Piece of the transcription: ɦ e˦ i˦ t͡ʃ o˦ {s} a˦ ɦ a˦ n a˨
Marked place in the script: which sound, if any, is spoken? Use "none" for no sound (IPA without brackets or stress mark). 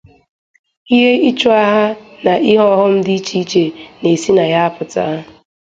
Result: none